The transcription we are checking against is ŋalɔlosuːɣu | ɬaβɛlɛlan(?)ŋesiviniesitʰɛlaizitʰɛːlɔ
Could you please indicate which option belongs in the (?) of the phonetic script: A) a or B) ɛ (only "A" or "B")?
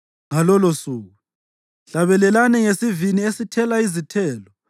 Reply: B